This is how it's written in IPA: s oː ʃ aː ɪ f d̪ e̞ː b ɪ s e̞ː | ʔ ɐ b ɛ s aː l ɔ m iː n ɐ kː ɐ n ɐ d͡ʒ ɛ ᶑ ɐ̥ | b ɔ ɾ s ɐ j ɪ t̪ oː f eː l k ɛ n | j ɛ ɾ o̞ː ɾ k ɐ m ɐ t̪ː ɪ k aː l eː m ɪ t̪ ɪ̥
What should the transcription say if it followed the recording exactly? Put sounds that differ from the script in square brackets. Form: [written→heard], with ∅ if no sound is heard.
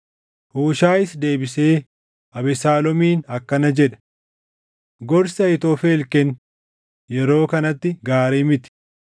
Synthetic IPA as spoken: [s→h] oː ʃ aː ɪ [f→s] d̪ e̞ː b ɪ s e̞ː | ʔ ɐ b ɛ s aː l ɔ m iː n ɐ kː ɐ n ɐ d͡ʒ ɛ ᶑ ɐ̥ | [b→ɡ] ɔ ɾ s ɐ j ɪ t̪ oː f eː l k ɛ n | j ɛ ɾ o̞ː [ɾ→∅] k ɐ [m→n] ɐ t̪ː ɪ [k→ɡ] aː [l→ɾ] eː m ɪ t̪ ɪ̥